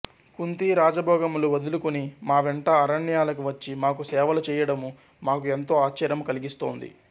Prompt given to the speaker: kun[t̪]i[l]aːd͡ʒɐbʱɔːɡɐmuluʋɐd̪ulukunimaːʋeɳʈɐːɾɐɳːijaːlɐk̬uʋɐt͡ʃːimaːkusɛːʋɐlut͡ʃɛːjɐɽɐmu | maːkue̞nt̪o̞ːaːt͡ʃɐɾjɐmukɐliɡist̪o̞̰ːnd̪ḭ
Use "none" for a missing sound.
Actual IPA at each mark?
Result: t̪, ɾ

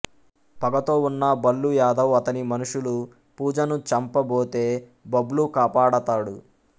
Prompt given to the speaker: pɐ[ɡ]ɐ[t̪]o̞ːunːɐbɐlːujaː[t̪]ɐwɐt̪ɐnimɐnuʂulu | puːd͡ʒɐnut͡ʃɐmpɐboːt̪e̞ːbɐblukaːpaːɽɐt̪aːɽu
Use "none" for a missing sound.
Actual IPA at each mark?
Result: ɡ, t̪, d̪

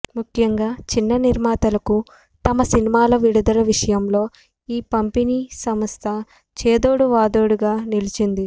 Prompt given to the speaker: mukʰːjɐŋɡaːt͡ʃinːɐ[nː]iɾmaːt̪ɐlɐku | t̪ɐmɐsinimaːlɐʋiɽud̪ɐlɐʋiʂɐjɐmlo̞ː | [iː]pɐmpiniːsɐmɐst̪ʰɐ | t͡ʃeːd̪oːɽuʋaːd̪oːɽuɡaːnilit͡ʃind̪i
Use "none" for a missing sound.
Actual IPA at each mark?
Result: n, iː

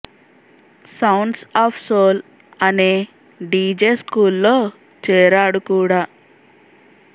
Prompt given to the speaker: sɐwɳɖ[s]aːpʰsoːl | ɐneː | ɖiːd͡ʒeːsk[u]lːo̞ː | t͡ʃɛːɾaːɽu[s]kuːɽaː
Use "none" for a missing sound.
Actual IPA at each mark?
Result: s, uː, none

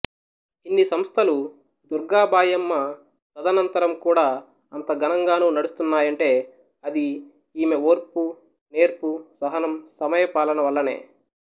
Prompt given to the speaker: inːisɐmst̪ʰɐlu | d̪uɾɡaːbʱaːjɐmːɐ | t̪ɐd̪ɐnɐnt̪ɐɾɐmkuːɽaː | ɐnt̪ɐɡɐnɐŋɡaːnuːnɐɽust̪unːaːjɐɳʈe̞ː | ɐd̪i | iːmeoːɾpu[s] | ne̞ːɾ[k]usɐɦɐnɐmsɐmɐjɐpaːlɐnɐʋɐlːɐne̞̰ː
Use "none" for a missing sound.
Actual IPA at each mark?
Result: none, p

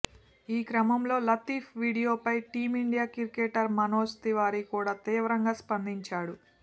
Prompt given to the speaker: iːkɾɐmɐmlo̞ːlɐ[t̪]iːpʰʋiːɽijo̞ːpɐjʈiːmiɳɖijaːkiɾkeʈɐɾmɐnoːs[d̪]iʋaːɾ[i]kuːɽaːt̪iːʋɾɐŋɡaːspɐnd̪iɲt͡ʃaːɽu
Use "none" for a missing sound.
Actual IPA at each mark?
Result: t̪, t̪, i

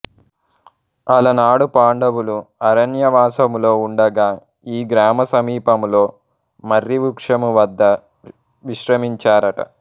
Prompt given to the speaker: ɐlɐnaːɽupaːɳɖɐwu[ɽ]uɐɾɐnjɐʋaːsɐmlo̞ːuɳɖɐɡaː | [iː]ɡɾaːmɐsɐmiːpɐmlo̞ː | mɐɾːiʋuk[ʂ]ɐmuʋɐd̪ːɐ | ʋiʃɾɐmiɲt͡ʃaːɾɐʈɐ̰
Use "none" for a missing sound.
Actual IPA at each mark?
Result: l, iː, ʂ

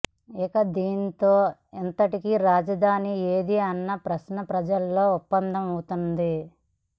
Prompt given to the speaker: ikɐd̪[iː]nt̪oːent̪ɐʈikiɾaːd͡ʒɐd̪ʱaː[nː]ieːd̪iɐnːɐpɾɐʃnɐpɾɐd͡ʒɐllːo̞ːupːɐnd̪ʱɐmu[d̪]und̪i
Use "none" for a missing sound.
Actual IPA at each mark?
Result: iː, n, t̪

